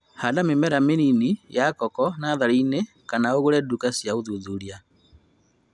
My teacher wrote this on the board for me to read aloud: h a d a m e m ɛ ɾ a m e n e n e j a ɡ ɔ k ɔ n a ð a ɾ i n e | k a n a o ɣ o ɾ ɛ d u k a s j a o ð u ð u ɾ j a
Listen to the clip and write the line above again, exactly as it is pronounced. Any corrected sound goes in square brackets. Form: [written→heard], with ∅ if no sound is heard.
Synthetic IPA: h a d a m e m ɛ ɾ a m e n [e→i] n [e→i] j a [ɡ→k] ɔ k ɔ n a ð a ɾ i n e | k a n a o ɣ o ɾ ɛ d u k a s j a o ð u ð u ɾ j a